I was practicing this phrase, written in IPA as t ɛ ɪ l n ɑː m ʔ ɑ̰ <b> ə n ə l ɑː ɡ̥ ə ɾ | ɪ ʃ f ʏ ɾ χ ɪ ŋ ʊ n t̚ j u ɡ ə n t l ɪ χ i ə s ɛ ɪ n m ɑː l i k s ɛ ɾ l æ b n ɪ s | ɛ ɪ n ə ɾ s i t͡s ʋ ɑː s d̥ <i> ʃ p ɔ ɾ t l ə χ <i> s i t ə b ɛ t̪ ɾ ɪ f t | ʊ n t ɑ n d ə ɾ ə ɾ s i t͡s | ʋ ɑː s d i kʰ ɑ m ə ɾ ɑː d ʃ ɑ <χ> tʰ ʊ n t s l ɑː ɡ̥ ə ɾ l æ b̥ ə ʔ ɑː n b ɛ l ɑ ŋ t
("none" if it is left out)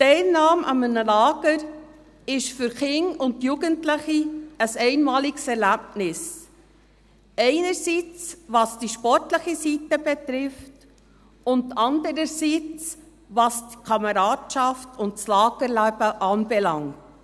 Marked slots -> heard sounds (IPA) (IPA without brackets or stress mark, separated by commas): m, i, i, f